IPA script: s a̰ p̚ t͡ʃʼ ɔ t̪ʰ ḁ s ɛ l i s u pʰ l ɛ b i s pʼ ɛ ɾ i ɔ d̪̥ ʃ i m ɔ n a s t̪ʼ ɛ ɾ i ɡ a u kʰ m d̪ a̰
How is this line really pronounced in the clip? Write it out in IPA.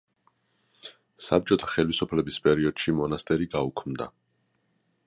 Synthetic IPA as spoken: s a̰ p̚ t͡ʃʼ ɔ t̪ʰ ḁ χ ɛ l i s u pʰ l ɛ b i s pʼ ɛ ɾ i ɔ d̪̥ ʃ i m ɔ n a s t̪ʼ ɛ ɾ i ɡ a u kʰ m d̪ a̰